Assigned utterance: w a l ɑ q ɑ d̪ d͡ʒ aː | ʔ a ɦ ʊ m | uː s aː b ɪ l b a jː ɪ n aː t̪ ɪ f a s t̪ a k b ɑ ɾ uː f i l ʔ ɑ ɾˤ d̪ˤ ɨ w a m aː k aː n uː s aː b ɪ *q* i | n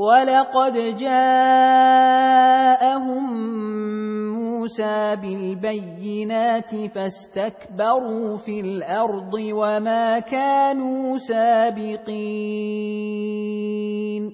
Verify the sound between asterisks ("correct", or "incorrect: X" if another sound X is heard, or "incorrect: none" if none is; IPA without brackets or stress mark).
correct